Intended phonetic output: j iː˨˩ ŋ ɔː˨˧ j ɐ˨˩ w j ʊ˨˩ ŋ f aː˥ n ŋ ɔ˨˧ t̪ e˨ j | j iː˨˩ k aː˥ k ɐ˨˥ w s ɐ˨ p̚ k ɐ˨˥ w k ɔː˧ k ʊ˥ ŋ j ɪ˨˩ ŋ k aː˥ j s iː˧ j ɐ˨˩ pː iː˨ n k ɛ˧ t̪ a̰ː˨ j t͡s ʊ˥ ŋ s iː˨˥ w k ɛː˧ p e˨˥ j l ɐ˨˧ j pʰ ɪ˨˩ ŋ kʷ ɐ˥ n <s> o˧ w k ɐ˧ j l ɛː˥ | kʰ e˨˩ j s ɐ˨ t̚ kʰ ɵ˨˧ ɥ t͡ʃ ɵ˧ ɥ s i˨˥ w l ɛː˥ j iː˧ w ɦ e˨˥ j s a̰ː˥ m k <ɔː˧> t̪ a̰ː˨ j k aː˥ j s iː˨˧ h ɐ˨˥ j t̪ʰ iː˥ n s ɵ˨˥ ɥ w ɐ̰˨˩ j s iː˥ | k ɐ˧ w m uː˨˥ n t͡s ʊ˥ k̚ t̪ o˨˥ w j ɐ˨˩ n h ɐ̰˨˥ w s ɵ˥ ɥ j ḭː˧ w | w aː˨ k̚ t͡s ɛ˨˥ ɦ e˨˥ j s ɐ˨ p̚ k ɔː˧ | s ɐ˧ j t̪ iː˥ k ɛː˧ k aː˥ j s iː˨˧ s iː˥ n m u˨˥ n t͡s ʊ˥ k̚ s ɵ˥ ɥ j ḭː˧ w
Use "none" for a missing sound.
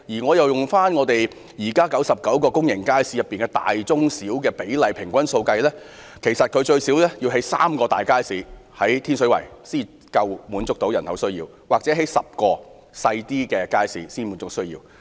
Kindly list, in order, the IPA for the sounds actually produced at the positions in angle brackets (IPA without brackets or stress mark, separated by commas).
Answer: s, ɔː˧